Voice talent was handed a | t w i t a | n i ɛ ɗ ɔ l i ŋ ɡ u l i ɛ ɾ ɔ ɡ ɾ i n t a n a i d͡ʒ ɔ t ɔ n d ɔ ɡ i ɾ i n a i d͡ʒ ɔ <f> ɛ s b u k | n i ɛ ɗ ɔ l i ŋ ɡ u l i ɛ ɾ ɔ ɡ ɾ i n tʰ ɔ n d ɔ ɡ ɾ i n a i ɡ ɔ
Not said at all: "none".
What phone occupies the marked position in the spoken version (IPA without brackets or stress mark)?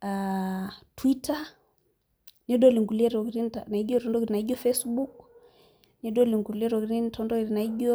f